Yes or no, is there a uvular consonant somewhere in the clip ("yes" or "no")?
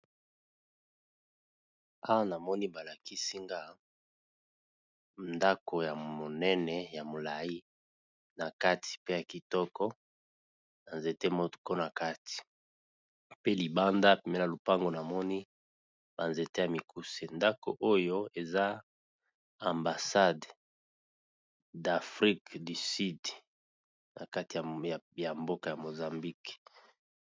yes